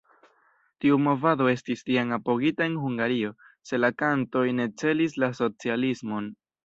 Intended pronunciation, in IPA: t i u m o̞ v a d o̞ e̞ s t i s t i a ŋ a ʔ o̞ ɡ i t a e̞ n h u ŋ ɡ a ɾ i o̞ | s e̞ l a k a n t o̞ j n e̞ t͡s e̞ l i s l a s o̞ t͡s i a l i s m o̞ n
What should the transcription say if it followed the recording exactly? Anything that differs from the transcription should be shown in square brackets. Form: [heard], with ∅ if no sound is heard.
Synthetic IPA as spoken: t i u m o̞ v a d o̞ e̞ s t i s t i a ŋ a [p] o̞ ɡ i t a e̞ n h u ŋ ɡ a ɾ i o̞ | s e̞ l a k a n t o̞ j n e̞ t͡s e̞ l i s l a s o̞ t͡s i a l i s m o̞ n